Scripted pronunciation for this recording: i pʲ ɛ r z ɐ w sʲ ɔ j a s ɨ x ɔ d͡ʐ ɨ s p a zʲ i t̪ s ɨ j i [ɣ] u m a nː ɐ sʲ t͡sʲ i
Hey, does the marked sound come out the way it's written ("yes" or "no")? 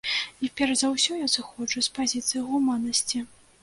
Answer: yes